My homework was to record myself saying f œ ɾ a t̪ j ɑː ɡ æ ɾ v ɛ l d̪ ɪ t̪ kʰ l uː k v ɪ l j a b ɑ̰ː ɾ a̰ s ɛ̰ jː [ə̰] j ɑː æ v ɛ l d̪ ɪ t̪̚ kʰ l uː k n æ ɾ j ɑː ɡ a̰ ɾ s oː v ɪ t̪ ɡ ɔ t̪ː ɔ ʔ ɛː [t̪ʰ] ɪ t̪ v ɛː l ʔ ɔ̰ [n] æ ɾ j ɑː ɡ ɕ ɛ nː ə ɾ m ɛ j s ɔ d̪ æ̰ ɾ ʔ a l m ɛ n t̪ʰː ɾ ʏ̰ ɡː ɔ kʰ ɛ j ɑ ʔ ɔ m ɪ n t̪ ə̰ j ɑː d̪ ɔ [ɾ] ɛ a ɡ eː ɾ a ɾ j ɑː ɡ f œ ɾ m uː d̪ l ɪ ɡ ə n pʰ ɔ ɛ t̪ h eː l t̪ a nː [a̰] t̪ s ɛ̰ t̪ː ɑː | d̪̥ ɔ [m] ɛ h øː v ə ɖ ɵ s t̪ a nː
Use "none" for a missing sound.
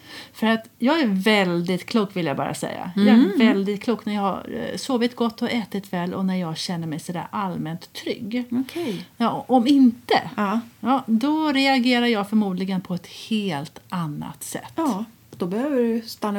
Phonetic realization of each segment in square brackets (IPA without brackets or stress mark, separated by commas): a̰, t̪, n, ɾ, a̰, b